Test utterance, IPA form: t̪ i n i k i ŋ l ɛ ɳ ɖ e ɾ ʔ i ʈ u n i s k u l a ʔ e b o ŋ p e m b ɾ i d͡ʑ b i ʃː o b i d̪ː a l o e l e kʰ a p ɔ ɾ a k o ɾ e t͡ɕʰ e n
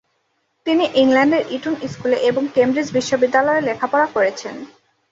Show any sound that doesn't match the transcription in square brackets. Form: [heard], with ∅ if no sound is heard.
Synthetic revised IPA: t̪ i n i [ʔ] i ŋ l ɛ ɳ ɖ e ɾ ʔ i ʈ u n i s k u l [e] ʔ e b o ŋ [k] e m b ɾ i d͡ʑ b i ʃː o b i d̪ː a l [ɔ] e l e kʰ a p ɔ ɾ a k o ɾ e t͡ɕʰ e n

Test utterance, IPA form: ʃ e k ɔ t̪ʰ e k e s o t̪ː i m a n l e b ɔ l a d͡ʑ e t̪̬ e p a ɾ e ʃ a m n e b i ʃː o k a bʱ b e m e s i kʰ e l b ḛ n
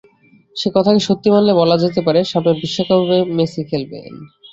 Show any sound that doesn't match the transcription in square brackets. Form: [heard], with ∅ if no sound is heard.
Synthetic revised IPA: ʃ e k ɔ t̪ʰ [a] k e [ʃ] o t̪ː i m a n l e b ɔ l a d͡ʑ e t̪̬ e p a ɾ e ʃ a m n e b i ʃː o k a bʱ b e m e s i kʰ e l b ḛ n

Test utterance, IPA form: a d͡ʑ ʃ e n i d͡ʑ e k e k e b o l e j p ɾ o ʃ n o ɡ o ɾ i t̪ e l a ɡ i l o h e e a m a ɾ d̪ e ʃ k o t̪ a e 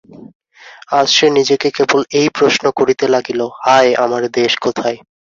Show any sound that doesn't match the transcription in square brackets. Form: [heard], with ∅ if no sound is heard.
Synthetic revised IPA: a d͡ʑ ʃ e n i d͡ʑ e k e k e b o l e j p ɾ o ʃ n o [k] o ɾ i t̪ e l a ɡ i l o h [a] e a m a ɾ d̪ e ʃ k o [t̪ʰ] a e

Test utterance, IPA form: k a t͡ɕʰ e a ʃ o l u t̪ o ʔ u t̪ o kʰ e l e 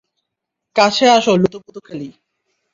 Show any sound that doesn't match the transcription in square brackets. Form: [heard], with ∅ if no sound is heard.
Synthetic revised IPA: k a t͡ɕʰ e a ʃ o l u t̪ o [p] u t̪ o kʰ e l [i]

